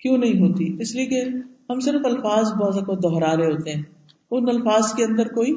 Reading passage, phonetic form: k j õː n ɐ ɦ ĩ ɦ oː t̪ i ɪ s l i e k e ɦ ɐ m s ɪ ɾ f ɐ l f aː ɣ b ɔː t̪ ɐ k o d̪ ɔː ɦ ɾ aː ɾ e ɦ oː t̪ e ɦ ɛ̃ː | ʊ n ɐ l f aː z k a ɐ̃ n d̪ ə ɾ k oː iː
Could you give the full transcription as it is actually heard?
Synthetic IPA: k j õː n ɐ ɦ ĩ ɦ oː t̪ i ɪ s l i e k e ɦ ɐ m s ɪ ɾ f ɐ l f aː z b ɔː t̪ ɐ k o d̪ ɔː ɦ ɾ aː ɾ e ɦ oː t̪ e ɦ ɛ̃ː | ʊ n ɐ l f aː z k e ɐ̃ n d̪ ə ɾ k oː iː